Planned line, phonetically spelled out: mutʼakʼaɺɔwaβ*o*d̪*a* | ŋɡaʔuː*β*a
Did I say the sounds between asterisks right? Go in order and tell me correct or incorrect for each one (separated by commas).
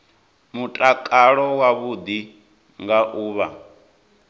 incorrect, incorrect, correct